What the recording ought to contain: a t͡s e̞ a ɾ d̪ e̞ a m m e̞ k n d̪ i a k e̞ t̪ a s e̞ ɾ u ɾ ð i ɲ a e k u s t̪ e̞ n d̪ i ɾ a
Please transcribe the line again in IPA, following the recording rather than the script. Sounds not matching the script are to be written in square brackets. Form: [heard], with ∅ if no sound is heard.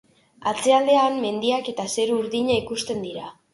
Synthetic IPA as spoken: a t͡s e̞ a [l] d̪ e̞ a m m e̞ [∅] n d̪ i a k e̞ t̪ a s e̞ ɾ u ɾ ð i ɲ a [i] k u s t̪ e̞ n d̪ i ɾ a